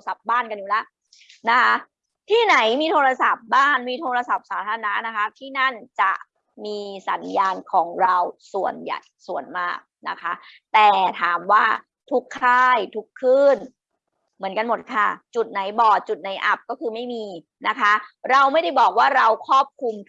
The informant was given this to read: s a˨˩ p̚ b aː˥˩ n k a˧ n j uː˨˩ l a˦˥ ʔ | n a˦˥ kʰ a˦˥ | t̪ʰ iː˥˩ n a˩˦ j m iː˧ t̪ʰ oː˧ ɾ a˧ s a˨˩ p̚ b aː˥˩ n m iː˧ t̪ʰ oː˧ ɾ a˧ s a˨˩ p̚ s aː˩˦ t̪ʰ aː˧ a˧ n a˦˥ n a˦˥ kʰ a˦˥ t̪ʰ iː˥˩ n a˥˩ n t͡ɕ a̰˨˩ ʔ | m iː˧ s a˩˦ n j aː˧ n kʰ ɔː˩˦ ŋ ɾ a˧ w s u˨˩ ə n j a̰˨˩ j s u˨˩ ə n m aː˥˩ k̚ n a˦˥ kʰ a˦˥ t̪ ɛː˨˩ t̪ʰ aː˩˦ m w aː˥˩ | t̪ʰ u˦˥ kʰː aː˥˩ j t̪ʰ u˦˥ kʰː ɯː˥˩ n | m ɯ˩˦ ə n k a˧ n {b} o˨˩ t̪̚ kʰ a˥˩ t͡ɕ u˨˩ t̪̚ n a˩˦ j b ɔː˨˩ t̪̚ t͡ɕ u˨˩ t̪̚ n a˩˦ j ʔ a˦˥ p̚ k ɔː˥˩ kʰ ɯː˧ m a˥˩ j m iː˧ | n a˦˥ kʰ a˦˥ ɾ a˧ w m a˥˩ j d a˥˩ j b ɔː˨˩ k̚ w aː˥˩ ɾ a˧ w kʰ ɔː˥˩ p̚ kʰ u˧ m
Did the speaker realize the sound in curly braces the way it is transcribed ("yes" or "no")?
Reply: no